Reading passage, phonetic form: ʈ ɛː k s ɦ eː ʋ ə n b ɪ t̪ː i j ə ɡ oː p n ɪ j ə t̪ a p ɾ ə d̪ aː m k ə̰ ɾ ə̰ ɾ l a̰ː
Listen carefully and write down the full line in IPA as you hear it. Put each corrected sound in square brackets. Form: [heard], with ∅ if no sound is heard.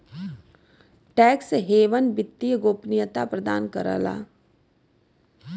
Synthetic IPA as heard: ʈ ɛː k s ɦ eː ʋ ə n b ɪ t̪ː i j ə ɡ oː p n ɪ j ə t̪ a p ɾ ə d̪ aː [n] k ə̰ ɾ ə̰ [∅] l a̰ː